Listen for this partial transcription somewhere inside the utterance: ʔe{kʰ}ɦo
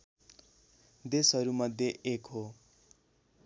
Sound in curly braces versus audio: incorrect: k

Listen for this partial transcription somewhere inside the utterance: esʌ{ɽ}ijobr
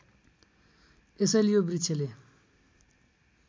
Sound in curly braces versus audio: incorrect: l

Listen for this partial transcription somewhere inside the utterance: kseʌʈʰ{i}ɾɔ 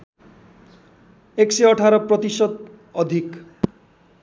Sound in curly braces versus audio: incorrect: a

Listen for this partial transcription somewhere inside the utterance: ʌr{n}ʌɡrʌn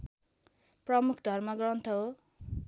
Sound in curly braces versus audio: incorrect: m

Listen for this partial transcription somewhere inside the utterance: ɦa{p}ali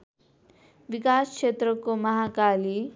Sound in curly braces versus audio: incorrect: k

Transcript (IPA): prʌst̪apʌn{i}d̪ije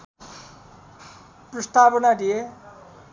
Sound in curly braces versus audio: incorrect: a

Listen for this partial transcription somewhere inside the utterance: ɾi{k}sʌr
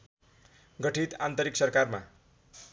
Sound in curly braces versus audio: correct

